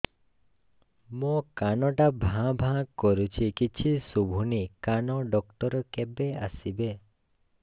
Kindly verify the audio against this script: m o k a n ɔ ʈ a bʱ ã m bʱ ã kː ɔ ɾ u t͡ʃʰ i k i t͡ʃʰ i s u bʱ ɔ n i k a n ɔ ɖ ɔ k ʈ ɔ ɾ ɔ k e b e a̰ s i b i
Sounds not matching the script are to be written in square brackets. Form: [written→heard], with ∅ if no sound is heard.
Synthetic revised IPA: m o k a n ɔ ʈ a bʱ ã [m→∅] bʱ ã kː ɔ ɾ u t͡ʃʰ i k i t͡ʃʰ i s u bʱ [ɔ→u] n i k a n ɔ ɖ ɔ k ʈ ɔ ɾ ɔ k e b e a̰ s i b [i→e]